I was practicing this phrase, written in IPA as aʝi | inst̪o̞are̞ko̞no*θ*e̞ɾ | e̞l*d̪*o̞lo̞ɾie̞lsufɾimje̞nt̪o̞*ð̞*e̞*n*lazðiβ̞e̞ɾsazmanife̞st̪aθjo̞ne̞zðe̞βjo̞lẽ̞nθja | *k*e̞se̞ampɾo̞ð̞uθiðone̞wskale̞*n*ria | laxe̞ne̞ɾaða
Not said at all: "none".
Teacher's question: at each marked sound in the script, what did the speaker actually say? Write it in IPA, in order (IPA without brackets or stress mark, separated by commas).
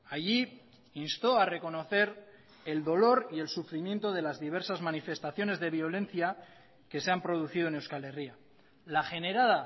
θ, d̪, ð̞, none, k, none